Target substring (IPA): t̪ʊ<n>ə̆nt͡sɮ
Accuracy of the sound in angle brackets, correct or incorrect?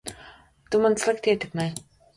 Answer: incorrect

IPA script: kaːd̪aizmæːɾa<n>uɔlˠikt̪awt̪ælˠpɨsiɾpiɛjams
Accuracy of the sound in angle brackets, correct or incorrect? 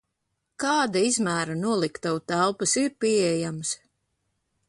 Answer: correct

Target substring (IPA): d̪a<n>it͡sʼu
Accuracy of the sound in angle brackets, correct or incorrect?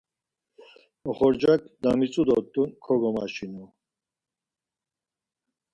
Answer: incorrect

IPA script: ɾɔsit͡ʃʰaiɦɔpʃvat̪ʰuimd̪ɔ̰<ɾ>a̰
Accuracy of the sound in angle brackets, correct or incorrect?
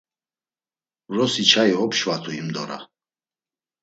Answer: correct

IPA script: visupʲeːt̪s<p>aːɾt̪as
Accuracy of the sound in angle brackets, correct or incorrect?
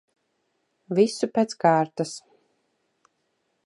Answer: incorrect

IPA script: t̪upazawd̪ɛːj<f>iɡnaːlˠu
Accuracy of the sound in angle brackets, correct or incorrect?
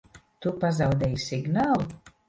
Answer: incorrect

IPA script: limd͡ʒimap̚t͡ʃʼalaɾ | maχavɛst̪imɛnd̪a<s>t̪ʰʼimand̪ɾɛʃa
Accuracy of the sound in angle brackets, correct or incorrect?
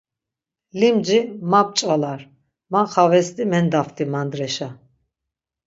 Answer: incorrect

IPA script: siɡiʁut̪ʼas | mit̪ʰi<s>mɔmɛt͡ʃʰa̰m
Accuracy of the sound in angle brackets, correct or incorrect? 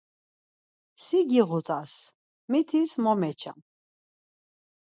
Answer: correct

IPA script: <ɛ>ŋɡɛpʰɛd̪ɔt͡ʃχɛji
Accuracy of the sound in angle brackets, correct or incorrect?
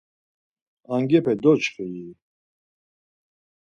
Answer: incorrect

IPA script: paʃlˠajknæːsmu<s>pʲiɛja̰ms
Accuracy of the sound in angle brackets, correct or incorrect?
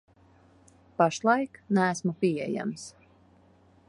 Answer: incorrect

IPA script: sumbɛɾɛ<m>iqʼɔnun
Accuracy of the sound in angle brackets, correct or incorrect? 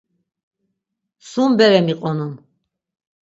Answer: correct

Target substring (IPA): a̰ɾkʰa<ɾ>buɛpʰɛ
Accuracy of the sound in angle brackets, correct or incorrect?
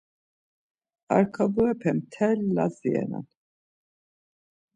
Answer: incorrect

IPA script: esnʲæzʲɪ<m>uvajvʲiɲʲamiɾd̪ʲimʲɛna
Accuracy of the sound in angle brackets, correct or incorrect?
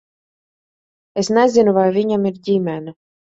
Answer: incorrect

